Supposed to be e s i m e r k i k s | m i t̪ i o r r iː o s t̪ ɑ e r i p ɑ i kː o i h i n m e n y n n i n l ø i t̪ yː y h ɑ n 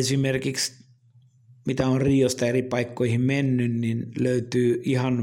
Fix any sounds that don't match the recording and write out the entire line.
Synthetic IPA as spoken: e s i m e r k i k s | m i t̪ æ o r r iː o s t̪ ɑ e r i p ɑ i kː o i h i m m e nː y n n i n l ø y t̪ yː i h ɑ n